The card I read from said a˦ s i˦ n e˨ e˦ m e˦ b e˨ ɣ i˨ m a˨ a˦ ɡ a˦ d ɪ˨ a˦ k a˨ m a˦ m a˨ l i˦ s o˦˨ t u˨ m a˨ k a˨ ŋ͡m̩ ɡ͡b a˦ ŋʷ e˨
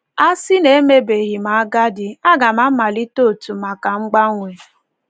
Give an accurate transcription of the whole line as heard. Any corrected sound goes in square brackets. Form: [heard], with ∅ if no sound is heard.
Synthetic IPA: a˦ s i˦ n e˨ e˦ m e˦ b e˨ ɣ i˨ m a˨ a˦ ɡ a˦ d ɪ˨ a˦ [ɡ] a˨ m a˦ m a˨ l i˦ [t] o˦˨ t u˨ m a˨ k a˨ ŋ͡m̩ ɡ͡b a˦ ŋʷ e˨